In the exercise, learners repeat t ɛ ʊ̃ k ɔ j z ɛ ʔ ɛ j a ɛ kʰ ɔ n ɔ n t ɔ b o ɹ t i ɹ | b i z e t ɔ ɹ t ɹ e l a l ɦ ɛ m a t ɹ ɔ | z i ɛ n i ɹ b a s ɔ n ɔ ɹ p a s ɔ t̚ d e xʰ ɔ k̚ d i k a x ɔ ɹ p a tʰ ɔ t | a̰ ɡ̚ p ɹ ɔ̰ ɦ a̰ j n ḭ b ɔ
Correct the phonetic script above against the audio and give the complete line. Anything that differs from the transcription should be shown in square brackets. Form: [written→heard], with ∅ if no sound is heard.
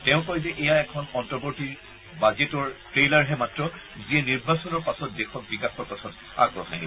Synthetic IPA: t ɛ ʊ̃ k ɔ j z ɛ ʔ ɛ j a ɛ kʰ ɔ n ɔ n t ɔ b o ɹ t i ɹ | b [i→a] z e t ɔ ɹ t ɹ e l a [l→ɹ] ɦ ɛ m a t ɹ ɔ | z i ɛ n i ɹ b a s ɔ n ɔ ɹ p a s ɔ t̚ d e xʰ ɔ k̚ [d→b] i k a x ɔ ɹ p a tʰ ɔ t | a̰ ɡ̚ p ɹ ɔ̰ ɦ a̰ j n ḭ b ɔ